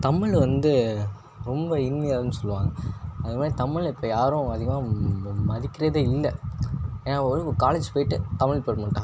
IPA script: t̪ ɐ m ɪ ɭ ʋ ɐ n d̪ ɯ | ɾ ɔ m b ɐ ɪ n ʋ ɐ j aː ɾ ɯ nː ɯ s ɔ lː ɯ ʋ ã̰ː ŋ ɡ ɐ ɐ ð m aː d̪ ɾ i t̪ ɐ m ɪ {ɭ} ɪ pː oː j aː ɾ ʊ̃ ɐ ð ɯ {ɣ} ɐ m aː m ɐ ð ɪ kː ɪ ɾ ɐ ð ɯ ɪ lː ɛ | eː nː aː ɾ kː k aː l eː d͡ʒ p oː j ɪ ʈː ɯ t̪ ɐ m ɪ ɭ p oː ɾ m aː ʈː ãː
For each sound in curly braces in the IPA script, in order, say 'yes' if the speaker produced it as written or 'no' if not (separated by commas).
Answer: yes, yes